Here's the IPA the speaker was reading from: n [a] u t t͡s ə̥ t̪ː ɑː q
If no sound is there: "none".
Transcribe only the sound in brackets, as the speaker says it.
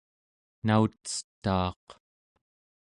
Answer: a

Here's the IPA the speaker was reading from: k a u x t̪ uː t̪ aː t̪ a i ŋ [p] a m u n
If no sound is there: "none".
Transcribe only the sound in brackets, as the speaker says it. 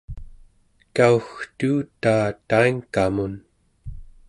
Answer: k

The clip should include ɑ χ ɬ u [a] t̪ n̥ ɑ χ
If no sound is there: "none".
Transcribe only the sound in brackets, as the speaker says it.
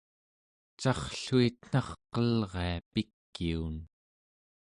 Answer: i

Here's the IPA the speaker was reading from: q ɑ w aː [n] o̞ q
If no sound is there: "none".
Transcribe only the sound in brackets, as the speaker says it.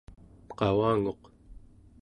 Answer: ŋ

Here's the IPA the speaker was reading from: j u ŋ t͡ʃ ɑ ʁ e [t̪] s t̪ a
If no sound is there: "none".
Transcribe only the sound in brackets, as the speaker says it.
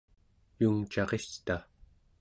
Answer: none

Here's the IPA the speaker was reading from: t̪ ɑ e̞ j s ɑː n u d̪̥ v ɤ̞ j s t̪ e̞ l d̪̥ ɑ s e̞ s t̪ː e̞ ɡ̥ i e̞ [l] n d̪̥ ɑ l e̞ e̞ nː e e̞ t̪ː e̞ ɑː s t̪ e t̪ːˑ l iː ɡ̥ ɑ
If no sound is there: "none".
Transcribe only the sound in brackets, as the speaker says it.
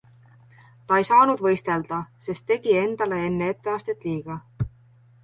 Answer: none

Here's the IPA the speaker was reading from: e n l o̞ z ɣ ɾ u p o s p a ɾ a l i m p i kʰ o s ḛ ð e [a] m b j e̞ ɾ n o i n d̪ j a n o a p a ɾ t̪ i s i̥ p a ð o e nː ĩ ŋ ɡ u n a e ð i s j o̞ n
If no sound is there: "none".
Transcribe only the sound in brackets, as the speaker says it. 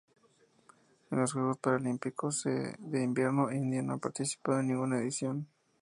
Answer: i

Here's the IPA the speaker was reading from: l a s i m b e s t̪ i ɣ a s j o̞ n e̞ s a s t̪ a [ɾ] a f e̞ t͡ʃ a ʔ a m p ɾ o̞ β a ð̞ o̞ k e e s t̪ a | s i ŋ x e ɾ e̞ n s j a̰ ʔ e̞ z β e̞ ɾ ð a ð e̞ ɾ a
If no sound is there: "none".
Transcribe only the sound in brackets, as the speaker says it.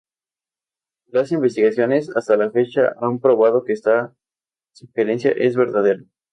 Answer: l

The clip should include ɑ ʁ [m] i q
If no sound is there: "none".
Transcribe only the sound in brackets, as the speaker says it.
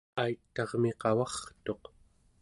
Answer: m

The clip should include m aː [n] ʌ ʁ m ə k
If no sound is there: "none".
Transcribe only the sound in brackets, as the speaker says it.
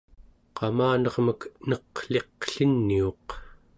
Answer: n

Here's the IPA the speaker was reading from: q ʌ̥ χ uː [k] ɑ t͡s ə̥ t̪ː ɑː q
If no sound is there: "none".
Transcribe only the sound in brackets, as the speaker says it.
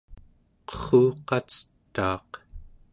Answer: q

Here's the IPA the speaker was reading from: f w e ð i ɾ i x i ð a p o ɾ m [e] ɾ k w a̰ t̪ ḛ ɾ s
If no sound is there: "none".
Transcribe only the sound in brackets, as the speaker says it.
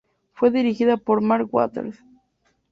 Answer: a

